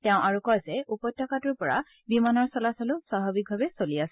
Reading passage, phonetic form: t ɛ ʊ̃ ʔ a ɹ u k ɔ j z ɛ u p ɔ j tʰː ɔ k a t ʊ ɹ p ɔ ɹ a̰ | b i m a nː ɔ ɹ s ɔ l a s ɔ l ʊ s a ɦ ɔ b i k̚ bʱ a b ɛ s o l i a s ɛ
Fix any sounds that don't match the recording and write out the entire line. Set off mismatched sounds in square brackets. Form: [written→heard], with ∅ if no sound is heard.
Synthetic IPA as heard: t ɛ ʊ̃ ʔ a ɹ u k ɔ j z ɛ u p ɔ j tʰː ɔ k a t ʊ ɹ p ɔ ɹ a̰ | b i m a [nː→n] ɔ ɹ s ɔ l a s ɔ l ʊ s a ɦ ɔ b i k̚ bʱ a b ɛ s o l i a s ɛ